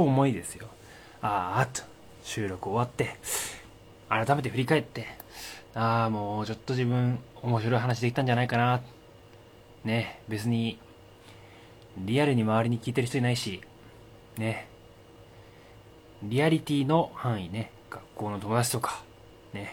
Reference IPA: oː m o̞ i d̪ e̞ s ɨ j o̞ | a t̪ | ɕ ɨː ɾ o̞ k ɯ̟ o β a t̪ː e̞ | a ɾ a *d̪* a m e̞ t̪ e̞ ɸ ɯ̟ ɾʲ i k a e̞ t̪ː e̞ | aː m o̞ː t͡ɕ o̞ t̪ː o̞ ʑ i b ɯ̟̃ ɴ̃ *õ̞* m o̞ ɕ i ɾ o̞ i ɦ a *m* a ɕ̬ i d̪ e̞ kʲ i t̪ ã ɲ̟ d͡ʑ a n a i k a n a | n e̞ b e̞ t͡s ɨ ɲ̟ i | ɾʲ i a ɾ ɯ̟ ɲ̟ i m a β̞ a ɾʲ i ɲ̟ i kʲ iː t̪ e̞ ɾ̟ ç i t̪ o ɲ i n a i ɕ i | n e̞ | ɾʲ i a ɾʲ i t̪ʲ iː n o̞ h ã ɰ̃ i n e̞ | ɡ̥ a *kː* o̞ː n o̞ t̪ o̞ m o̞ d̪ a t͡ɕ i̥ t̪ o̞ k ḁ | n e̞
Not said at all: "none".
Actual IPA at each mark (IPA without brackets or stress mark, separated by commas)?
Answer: t̪, o̞, n, kː